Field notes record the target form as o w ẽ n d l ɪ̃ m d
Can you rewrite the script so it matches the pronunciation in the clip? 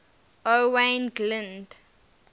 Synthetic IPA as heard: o w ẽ n ɡ l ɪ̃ n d